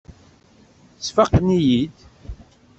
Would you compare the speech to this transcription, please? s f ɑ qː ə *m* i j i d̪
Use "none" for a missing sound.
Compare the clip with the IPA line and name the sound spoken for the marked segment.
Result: n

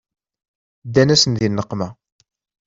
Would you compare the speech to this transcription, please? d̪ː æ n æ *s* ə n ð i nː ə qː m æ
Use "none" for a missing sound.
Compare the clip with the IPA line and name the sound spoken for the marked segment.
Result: s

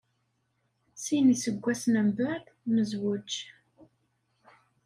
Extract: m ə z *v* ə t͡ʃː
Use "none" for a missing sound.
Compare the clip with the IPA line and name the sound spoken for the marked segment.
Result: w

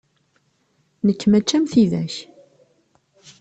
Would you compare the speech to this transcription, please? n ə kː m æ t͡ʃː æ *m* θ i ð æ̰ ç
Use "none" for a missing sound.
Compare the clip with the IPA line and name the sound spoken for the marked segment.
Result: m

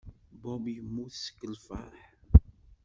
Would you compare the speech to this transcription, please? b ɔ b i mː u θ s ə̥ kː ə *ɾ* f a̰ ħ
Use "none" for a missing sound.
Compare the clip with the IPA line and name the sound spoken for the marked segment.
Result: l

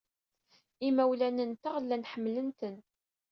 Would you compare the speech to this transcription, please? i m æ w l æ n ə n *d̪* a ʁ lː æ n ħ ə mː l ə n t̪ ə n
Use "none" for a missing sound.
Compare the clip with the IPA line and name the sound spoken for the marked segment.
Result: t̪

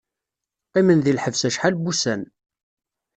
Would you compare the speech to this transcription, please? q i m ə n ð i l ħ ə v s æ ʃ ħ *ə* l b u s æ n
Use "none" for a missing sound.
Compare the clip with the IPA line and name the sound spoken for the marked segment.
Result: a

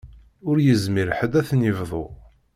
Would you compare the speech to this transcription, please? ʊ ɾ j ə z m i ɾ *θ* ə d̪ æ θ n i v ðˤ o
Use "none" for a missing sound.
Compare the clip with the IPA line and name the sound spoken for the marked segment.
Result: ħ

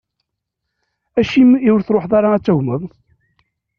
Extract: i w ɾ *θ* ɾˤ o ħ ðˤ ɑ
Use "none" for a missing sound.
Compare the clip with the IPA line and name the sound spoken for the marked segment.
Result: θ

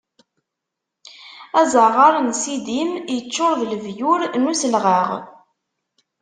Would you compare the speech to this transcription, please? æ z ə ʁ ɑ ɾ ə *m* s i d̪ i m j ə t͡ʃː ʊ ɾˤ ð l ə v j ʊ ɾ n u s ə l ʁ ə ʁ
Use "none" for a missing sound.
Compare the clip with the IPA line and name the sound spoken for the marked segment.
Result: n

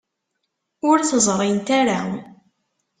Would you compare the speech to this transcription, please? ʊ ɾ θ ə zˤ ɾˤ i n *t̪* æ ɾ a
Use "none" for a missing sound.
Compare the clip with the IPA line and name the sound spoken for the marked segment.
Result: t̪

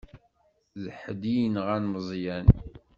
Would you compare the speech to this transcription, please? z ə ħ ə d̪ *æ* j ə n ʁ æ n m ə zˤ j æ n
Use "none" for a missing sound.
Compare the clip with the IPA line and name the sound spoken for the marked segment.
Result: i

